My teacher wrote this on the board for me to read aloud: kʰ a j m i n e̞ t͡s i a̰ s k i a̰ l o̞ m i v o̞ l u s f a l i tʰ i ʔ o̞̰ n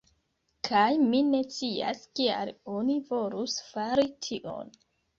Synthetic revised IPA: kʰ a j m i n e̞ t͡s i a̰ s k i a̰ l o̞ n i v o̞ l u s f a ɾ i tʰ i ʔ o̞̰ n